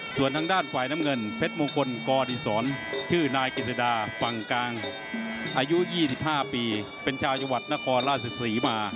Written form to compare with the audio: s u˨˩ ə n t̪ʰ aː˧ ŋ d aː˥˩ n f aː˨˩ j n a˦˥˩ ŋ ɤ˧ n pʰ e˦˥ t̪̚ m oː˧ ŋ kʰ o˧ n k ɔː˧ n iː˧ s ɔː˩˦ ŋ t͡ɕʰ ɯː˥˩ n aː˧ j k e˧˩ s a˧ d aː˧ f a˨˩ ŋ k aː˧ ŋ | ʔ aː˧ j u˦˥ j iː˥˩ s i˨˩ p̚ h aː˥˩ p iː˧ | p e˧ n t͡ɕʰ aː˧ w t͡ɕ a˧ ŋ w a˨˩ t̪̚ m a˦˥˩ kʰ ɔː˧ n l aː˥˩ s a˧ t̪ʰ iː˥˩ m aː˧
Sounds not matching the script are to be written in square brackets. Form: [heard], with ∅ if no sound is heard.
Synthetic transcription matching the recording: s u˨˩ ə n t̪ʰ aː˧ ŋ d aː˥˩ n f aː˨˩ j n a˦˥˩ ŋ ɤ˧ n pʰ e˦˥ t̪̚ m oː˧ ŋ kʰ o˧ n k ɔː˧ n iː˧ s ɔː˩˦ [n] t͡ɕʰ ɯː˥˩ n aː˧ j k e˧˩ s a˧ d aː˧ f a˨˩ ŋ k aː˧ ŋ | ʔ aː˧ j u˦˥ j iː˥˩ s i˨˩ p̚ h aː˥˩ p iː˧ | p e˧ n t͡ɕʰ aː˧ w t͡ɕ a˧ ŋ w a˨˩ t̪̚ [n] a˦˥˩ kʰ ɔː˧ n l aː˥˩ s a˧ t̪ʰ [iː˩˦] m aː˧